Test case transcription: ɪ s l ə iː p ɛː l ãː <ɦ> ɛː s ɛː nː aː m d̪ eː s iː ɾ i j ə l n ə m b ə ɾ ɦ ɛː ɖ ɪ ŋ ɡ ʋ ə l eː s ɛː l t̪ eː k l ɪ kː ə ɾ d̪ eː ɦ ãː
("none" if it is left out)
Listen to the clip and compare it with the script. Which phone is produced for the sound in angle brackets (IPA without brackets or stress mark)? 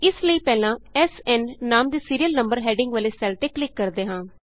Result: none